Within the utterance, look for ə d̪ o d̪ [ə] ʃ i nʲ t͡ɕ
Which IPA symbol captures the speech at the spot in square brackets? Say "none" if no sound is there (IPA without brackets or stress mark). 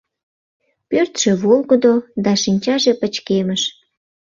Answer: ɑ